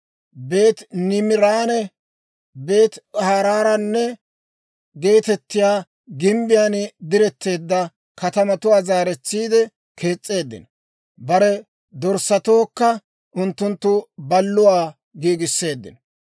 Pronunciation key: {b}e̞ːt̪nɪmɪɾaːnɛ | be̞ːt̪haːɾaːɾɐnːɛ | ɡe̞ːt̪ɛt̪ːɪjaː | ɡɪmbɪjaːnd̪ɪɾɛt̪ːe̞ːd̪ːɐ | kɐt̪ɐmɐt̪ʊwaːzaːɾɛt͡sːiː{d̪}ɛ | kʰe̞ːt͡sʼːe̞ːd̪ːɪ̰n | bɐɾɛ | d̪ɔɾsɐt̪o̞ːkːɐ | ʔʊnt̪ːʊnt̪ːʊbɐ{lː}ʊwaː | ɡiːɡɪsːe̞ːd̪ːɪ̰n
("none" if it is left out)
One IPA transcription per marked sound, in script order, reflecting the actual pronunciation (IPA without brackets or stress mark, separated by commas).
b, d̪, lː